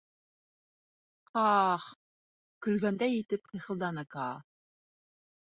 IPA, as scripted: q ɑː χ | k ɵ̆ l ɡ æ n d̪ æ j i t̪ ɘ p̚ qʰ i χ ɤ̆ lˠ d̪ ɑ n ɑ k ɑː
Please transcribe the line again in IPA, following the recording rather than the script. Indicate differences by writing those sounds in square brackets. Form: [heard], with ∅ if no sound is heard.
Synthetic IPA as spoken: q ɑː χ | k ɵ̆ l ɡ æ n d̪ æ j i t̪ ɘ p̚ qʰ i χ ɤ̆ lˠ d̪ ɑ n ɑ k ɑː